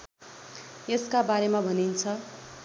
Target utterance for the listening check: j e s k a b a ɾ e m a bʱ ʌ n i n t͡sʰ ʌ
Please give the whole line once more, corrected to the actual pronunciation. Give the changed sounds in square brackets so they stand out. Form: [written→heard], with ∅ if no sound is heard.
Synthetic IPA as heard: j e s k a b a ɾ e m a bʱ ʌ n i n t͡sʰ ʌ